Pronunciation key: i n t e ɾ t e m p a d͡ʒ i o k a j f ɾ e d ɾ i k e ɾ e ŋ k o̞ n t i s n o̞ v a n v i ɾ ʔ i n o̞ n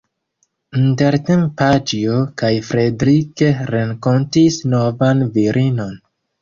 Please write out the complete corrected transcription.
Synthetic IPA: i n t e ɾ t e m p a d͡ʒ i o k a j f ɾ e d ɾ i k e ɾ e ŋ k o̞ n t i s n o̞ v a n v i ɾ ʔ i n o̞ n